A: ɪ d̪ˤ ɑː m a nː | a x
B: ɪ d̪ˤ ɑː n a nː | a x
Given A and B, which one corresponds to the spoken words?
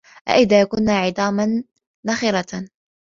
A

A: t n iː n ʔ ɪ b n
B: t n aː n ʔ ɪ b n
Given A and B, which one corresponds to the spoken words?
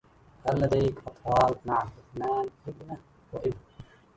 B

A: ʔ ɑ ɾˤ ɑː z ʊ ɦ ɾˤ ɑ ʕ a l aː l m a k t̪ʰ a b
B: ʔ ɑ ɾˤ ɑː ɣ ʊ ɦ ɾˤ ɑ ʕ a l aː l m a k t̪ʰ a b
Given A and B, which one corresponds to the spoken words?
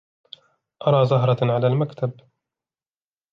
A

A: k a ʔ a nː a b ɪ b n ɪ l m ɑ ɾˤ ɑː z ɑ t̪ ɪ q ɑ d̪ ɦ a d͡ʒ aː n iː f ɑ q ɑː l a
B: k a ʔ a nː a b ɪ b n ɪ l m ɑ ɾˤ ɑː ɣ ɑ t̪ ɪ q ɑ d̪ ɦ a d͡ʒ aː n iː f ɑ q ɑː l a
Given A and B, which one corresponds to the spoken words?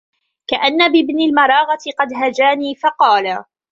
B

